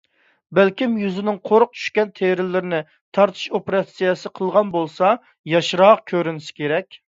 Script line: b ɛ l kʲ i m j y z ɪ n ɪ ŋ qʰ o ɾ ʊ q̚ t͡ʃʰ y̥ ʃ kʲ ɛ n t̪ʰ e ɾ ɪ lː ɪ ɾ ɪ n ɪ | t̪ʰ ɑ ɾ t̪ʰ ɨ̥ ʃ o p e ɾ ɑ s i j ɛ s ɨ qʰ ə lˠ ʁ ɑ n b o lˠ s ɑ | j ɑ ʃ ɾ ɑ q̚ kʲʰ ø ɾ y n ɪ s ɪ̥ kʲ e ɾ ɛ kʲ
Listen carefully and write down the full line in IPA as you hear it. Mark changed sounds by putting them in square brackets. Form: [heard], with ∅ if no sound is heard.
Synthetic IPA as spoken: b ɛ l kʲ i m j y z ɪ n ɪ ŋ qʰ o ɾ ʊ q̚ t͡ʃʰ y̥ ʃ kʲ ɛ n t̪ʰ e ɾ ɪ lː ɪ ɾ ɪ n ɪ | t̪ʰ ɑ ɾ t̪ʰ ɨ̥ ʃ o p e ɾ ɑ s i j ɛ s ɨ qʰ ə lˠ ʁ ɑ n b o lˠ s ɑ | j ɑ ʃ ɾ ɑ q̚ kʲʰ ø ɾ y n ɪ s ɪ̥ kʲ e ɾ ɛ kʲ